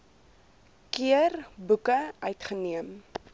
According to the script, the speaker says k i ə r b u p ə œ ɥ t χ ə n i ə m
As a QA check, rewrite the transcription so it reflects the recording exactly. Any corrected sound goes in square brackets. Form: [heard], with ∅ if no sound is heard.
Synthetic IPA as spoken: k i ə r b u [k] ə œ ɥ t χ ə n i ə m